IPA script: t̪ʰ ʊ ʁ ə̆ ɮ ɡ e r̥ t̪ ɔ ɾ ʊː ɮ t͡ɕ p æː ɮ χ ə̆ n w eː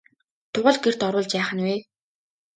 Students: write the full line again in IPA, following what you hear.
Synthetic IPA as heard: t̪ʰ ʊ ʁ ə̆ ɮ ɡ e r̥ t̪ ɔ ɾ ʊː ɮ t͡ɕ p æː χ ə̆ n w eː